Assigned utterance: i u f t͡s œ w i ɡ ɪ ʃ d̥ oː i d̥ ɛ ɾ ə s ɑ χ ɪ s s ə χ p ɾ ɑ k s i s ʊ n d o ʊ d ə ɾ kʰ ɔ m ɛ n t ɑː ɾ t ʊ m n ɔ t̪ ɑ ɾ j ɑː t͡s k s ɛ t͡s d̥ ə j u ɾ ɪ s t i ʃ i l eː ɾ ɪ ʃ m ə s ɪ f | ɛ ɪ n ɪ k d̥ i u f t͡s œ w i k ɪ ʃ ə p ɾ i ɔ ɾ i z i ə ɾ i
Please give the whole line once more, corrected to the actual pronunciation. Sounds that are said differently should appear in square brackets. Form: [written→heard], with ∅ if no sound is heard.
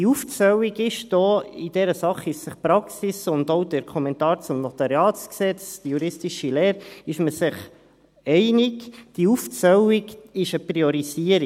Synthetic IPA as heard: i u f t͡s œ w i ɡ ɪ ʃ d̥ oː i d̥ ɛ ɾ ə s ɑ χ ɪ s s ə χ p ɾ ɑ k s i s ʊ n d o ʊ d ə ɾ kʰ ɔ m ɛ n t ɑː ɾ [t→t͡s] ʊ m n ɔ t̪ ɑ ɾ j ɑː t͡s k s ɛ t͡s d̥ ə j u ɾ ɪ s t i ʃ i l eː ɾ ɪ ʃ m ə s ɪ [f→χ] | ɛ ɪ n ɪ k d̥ i u f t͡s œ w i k ɪ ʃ ə p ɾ i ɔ ɾ i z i ə ɾ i